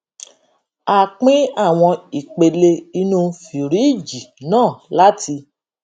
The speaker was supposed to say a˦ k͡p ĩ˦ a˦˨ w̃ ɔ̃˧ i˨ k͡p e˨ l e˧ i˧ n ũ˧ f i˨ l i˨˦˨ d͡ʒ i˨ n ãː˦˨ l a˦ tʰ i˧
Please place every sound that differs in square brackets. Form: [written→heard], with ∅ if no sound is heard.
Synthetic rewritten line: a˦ k͡p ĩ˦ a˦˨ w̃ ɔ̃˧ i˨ k͡p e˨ l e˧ i˧ n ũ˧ f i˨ [l→ɾ] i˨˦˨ d͡ʒ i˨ n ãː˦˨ l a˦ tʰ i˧